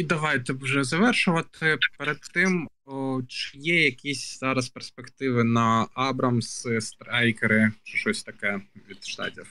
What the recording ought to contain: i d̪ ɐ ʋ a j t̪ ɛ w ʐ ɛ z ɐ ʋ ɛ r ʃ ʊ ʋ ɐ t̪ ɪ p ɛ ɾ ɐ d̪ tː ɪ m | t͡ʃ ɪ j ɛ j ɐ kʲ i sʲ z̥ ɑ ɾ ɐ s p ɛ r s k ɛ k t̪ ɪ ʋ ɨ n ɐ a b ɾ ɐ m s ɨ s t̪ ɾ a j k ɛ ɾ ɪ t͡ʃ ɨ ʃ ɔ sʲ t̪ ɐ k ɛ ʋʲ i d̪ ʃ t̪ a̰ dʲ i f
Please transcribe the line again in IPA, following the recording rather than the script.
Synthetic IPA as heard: i d̪ ɐ ʋ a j t̪ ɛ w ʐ ɛ z ɐ ʋ ɛ r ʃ ʊ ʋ ɐ t̪ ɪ p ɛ ɾ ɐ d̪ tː ɪ m | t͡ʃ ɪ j ɛ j ɐ kʲ i sʲ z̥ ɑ ɾ ɐ s p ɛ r s p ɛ k t̪ ɪ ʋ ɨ n ɐ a b ɾ ɐ m s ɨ s t̪ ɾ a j k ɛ ɾ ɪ t͡ʃ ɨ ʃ ɔ sʲ t̪ ɐ k ɛ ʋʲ i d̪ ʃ t̪ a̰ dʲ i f